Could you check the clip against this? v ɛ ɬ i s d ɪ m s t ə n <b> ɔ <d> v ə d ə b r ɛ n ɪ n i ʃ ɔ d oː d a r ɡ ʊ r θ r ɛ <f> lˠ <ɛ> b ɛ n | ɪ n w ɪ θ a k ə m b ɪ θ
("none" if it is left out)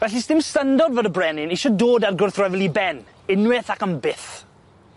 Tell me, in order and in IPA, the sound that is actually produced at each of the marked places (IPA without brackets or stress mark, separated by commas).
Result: d, d, v, i